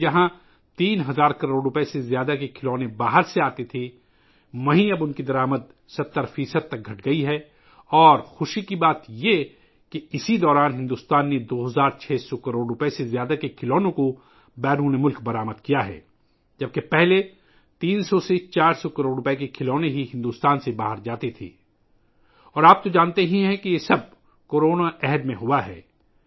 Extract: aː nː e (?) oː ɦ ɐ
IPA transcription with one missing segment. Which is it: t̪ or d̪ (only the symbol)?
d̪